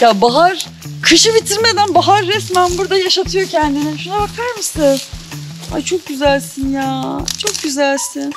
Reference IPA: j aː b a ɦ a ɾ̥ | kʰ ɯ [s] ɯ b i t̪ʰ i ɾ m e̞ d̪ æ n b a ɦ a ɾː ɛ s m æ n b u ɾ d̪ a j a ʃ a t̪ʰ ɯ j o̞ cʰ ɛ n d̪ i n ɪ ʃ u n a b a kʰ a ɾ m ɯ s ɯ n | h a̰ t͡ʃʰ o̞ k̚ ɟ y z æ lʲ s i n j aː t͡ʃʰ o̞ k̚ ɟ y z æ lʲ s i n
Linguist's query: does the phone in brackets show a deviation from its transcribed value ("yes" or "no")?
yes